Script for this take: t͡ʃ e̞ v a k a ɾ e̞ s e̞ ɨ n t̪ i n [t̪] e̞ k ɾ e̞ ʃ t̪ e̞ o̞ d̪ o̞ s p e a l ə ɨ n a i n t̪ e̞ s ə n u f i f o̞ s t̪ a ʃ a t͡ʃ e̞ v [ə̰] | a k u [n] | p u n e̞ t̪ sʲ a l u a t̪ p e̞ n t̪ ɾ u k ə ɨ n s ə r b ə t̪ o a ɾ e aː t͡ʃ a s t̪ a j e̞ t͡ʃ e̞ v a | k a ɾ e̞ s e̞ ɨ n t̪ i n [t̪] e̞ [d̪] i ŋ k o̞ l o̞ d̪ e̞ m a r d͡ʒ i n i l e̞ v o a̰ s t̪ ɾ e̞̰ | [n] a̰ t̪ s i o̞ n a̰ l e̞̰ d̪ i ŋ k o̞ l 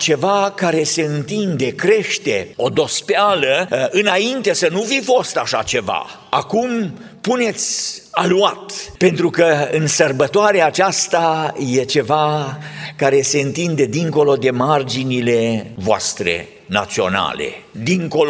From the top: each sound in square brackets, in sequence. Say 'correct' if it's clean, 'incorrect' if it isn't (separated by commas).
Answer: incorrect, incorrect, incorrect, incorrect, correct, correct